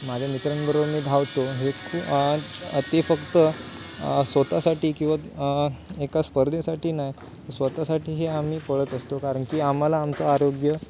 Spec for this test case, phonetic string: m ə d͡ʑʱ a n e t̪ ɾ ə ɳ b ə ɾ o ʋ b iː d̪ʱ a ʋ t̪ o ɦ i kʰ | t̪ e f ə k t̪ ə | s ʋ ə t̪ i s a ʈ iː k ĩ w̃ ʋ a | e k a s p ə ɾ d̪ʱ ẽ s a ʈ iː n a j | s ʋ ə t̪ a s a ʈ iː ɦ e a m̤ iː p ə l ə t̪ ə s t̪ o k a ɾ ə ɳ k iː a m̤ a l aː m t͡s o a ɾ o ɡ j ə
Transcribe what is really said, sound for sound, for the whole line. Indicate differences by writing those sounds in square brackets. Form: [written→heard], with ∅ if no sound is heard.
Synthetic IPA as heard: m [ə→a] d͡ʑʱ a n [e→i] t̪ ɾ ə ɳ b ə ɾ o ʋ [b→m] iː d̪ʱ a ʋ t̪ o ɦ [i→e] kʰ | t̪ e f ə k t̪ ə | s ʋ ə t̪ [i→a] s a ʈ iː k ĩ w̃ ʋ a | e k a s p ə ɾ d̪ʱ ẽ s a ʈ iː n a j | s ʋ ə t̪ a s a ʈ iː ɦ e a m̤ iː p ə [l→ɭ] ə t̪ ə s t̪ o k a ɾ ə ɳ k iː a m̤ a l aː m t͡s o a ɾ o ɡ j ə

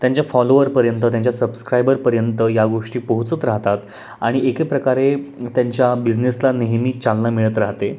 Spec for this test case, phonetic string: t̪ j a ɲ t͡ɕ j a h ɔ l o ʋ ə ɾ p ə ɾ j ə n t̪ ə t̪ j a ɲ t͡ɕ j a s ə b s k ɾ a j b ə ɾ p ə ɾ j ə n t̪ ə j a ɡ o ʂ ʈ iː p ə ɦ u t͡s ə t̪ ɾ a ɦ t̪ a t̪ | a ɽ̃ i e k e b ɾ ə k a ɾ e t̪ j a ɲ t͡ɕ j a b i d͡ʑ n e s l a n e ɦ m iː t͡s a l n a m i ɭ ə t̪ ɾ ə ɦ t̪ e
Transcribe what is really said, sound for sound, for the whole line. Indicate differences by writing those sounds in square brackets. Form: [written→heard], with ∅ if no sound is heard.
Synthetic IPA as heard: t̪ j a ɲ t͡ɕ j a [h→f] ɔ l o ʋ ə ɾ p ə ɾ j ə n t̪ ə t̪ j a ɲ t͡ɕ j a s ə b s k ɾ a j b ə ɾ p ə ɾ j ə n t̪ ə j a ɡ o ʂ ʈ iː p ə ɦ u t͡s ə t̪ ɾ a ɦ t̪ a t̪ | a ɽ̃ i e k e [b→p] ɾ ə k a ɾ e t̪ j a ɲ t͡ɕ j a b i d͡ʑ n e s l a n e ɦ m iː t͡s a l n a m i ɭ ə t̪ ɾ [ə→a] ɦ t̪ e

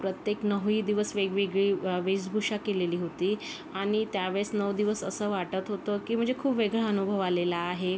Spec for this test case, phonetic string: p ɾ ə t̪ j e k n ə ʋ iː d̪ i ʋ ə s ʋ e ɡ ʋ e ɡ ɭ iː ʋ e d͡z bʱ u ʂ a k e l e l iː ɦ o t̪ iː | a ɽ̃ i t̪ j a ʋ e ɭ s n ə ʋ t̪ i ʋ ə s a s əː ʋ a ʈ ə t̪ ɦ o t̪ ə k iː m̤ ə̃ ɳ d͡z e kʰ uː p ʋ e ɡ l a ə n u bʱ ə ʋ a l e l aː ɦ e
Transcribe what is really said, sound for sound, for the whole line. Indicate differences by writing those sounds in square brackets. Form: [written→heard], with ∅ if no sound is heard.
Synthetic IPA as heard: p ɾ ə t̪ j e k n ə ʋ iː d̪ i ʋ ə s ʋ e ɡ ʋ e ɡ ɭ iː ʋ e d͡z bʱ u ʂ a k e l e l iː ɦ o t̪ iː | a ɽ̃ i t̪ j a ʋ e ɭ s n ə ʋ [t̪→d̪] i ʋ ə s [a→ə] s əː ʋ a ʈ ə t̪ ɦ o t̪ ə k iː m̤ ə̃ ɳ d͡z e kʰ uː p ʋ e ɡ [l→ɭ] a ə n u bʱ ə ʋ a l e l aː ɦ e

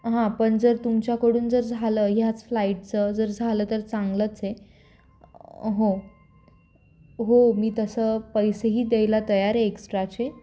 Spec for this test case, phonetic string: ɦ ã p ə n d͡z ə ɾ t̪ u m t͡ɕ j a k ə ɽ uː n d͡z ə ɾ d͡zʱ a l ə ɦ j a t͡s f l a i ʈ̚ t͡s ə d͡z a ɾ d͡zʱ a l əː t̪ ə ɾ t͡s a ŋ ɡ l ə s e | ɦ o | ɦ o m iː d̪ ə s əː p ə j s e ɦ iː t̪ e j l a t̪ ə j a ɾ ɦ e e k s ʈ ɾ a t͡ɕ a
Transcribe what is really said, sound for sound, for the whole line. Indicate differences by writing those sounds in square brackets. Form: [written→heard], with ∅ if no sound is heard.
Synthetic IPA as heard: ɦ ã p ə [n→ɳ] d͡z ə ɾ t̪ u m t͡ɕ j a k ə ɽ uː n d͡z ə ɾ d͡zʱ a l ə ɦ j a t͡s f l a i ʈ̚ t͡s ə d͡z [a→ə] ɾ d͡zʱ a l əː t̪ ə ɾ t͡s a ŋ ɡ l ə [s→t͡s] e | ɦ o | ɦ o m iː [d̪→t̪] ə s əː p ə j s e ɦ iː [t̪→d̪] e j l a t̪ ə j a ɾ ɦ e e k s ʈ ɾ a t͡ɕ [a→e]

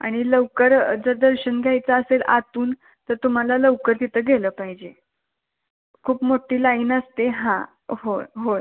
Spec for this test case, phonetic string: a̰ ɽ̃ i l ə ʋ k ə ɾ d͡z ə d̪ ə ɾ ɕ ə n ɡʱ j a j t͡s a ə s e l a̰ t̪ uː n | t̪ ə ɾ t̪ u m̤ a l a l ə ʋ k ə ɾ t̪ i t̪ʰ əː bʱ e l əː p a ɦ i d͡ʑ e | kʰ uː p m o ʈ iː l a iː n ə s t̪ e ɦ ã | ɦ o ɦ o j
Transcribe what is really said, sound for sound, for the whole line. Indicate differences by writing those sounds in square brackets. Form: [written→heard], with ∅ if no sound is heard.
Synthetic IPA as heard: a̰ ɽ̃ i l ə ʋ k ə ɾ d͡z ə d̪ ə ɾ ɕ ə n ɡʱ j a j t͡s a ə s e l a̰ t̪ uː n | t̪ ə ɾ t̪ u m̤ a l a l ə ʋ k ə ɾ t̪ i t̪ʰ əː [bʱ→ɡʱ] e l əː p a ɦ i d͡ʑ e | kʰ uː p m o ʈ iː l a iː n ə s t̪ e ɦ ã | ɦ o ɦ o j

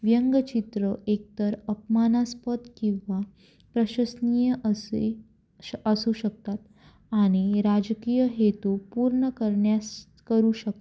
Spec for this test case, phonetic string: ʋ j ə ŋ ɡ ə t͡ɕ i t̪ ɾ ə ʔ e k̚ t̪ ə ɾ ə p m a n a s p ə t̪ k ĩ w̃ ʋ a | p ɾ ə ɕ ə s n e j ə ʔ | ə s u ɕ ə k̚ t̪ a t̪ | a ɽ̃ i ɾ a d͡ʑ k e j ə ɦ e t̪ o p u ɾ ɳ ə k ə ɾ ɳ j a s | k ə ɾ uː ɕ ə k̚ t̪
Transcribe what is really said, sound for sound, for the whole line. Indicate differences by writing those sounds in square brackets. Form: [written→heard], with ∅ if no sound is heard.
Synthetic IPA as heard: ʋ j ə ŋ ɡ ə t͡ɕ i t̪ ɾ ə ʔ e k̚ t̪ ə ɾ ə p m a n a s p ə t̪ k ĩ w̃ ʋ a | p ɾ ə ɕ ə s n [e→i] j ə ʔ | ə s u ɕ ə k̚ t̪ a t̪ | a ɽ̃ i ɾ a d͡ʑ k [e→i] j ə ɦ e t̪ [o→u] p u ɾ ɳ ə k ə ɾ ɳ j a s | k ə ɾ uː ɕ ə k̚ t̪

